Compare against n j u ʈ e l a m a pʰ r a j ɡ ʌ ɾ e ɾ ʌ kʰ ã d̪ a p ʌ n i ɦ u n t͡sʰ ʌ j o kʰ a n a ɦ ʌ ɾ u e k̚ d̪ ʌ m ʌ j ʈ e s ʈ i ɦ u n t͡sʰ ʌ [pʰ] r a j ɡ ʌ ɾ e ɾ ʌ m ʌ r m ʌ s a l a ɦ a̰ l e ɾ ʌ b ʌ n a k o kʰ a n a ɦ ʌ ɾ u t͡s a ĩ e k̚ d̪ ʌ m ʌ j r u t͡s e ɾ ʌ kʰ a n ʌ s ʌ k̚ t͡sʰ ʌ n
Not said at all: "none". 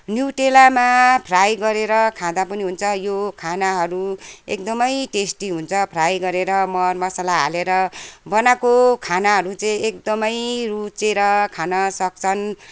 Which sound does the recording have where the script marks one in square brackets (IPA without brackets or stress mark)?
pʰ